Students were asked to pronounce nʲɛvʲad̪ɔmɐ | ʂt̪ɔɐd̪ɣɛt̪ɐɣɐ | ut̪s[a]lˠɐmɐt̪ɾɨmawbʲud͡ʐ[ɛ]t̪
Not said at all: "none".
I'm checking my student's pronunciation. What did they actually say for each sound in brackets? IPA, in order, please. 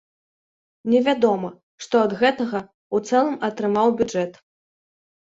ɛ, ɛ

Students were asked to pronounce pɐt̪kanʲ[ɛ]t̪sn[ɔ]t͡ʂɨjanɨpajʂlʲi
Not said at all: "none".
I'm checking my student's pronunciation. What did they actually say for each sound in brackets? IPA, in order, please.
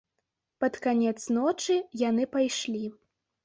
ɛ, ɔ

